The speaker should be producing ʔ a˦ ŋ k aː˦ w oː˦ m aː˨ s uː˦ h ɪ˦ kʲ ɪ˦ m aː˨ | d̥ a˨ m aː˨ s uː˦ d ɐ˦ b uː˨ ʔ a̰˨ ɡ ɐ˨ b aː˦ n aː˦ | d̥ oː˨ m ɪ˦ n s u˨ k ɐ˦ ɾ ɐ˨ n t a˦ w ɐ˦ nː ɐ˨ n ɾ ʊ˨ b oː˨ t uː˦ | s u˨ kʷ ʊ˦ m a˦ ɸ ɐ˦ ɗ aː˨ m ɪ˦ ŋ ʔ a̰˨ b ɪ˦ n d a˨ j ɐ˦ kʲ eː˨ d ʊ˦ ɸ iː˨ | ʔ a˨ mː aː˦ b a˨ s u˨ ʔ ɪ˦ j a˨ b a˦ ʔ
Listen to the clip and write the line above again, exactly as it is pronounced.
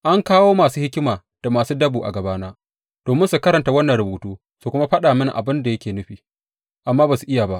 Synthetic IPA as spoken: ʔ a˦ ŋ k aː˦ w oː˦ m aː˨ s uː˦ h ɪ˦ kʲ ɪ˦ m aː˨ | d̥ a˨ m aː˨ s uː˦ d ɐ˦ b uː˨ ʔ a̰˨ ɡ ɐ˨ b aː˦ n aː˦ | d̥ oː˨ m ɪ˦ n s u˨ k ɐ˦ ɾ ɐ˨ n t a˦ w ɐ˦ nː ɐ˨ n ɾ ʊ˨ b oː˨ t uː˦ | s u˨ kʷ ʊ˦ m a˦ ɸ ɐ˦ ɗ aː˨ m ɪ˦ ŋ ʔ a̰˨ b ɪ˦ n d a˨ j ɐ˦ kʲ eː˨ n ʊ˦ ɸ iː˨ | ʔ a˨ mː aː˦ b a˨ s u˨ ʔ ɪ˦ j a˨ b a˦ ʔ